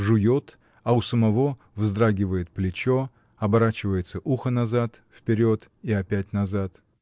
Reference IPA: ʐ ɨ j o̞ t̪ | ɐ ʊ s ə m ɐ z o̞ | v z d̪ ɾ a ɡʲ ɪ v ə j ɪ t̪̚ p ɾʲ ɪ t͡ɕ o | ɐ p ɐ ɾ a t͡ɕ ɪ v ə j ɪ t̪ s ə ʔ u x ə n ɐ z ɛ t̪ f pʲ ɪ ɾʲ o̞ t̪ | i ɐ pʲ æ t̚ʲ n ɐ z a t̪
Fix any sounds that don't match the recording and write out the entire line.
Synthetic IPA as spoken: ʐ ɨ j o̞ t̪ | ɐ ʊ s ə m ɐ v o̞ | v z d̪ ɾ a ɡʲ ɪ v ə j ɪ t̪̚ p lʲ ɪ t͡ɕ o | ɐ b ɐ ɾ a t͡ɕ ɪ v ə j ɪ t̪ s ə ʔ u x ə n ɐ z a t̪ f pʲ ɪ ɾʲ o̞ t̪ | i ɐ pʲ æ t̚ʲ n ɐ z a t̪